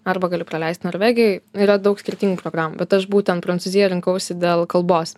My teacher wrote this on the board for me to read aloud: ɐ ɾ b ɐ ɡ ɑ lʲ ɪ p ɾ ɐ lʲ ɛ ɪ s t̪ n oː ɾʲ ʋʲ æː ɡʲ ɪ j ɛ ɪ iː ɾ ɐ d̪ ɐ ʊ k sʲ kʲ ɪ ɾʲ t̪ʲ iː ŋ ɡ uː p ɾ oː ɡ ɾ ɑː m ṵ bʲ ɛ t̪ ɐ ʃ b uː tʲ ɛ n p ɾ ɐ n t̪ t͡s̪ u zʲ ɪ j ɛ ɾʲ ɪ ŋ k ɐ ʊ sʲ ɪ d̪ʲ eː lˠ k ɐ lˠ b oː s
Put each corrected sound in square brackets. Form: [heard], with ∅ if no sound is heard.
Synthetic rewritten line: ɐ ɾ b ɐ ɡ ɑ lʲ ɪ p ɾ ɐ lʲ ɛ ɪ s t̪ n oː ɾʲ ʋʲ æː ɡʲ ɪ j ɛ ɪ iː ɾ ɐ d̪ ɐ ʊ k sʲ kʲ ɪ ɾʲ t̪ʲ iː ŋ ɡ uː p ɾ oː ɡ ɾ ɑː m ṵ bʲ ɛ t̪ ɐ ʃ b uː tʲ ɛ n p ɾ ɐ n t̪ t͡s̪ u zʲ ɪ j ɛ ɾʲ ɪ ŋ k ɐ ʊ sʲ ɪ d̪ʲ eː lˠ k ɐ lˠ b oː s